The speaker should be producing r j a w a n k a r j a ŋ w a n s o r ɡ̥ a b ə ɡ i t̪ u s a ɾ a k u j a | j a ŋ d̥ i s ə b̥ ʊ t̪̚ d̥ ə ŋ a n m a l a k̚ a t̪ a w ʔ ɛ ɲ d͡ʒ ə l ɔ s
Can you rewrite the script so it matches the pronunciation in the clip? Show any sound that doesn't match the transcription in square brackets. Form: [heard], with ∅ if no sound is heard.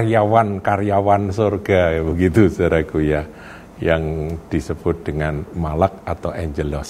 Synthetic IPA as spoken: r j a w a n k a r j a [∅] w a n s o r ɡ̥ a b ə ɡ i t̪ u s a ɾ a k u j a | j a ŋ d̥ i s ə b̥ ʊ t̪̚ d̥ ə ŋ a n m a l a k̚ a t̪ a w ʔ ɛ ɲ d͡ʒ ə l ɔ s